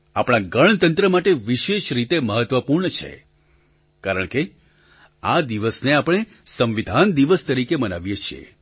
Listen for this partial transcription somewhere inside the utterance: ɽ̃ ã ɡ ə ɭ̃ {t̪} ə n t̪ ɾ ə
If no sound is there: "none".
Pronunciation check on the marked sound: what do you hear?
t̪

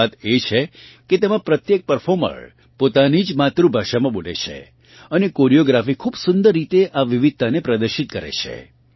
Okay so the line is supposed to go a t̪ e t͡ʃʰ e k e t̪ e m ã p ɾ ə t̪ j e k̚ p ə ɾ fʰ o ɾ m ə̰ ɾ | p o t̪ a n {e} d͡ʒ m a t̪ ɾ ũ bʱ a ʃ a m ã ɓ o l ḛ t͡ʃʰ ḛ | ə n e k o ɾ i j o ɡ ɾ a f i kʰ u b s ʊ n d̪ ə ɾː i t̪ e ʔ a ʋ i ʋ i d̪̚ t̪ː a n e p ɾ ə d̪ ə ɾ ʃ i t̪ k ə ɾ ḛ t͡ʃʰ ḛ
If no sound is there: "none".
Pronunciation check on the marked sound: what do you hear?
i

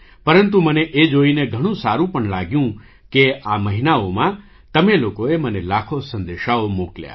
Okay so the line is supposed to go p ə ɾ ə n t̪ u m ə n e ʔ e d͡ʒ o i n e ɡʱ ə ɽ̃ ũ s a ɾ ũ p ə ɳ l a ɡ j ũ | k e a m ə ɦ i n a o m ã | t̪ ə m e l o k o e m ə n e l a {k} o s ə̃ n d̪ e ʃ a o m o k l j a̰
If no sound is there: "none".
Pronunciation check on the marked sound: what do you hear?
kʰ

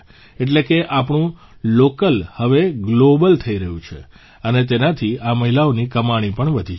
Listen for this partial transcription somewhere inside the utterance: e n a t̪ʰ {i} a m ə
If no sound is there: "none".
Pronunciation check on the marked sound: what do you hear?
i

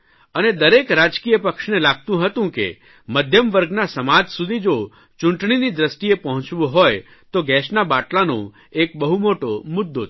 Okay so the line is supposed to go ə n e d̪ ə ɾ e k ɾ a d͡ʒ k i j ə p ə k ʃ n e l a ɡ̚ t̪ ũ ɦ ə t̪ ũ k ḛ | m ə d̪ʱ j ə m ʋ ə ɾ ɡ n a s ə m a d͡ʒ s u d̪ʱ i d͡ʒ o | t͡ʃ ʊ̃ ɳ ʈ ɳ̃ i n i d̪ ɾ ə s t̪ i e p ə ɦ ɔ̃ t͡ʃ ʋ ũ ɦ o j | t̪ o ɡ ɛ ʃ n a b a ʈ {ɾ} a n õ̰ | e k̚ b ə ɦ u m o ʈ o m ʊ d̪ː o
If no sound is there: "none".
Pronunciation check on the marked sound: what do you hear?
l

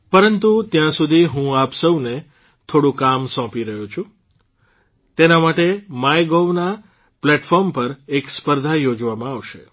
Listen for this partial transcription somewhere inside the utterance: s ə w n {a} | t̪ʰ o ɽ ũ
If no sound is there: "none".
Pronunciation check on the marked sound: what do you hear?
e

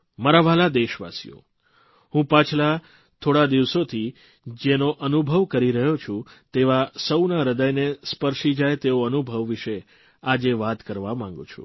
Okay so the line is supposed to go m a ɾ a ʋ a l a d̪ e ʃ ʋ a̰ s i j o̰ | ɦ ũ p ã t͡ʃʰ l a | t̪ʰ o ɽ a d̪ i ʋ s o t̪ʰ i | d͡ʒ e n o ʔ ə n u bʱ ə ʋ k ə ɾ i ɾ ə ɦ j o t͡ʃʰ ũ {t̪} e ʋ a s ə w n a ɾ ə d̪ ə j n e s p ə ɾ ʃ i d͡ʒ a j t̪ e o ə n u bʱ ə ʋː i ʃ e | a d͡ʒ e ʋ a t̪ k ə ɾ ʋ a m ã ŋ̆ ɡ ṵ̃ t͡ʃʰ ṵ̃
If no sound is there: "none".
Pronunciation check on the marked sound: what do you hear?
t̪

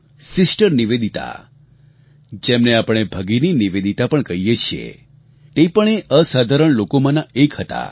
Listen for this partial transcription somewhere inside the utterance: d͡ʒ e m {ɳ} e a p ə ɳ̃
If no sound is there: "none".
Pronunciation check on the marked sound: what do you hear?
n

